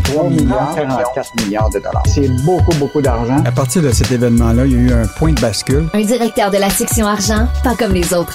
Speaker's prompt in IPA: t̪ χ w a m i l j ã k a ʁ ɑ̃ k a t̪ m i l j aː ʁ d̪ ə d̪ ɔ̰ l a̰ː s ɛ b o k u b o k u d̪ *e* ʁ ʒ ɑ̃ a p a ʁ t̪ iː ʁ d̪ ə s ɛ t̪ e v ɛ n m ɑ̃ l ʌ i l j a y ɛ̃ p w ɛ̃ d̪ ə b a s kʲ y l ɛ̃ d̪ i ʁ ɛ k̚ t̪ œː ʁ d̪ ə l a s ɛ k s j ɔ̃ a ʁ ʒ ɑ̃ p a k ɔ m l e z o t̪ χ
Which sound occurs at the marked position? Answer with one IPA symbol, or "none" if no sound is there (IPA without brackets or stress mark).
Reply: a